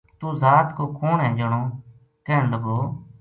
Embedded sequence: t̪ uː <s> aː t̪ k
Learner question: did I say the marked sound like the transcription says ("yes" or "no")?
no